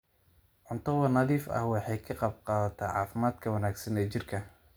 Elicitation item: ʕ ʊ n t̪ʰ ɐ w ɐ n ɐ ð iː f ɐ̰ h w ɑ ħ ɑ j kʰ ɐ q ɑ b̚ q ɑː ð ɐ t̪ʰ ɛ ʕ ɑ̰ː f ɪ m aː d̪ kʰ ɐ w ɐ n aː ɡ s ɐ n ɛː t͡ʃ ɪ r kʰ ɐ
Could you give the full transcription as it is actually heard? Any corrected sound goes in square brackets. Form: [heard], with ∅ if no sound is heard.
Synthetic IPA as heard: ʕ ʊ n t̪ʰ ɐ w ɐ n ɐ ð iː f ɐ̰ h w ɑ ħ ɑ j kʰ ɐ q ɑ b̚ q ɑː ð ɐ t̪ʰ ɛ ʕ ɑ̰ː f ɪ m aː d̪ kʰ ɐ w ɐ n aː ɡ s ɐ n ɛː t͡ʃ ɪ r kʰ ɐ